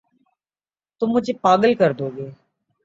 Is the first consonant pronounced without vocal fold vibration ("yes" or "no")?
yes